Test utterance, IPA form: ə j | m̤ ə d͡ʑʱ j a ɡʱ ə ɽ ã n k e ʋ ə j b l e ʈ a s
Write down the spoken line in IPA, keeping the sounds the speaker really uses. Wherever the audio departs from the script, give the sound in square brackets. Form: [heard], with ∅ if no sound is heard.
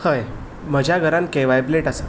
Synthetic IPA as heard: ə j | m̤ ə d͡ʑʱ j a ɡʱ ə [ɾ] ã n k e ʋ [a] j b l e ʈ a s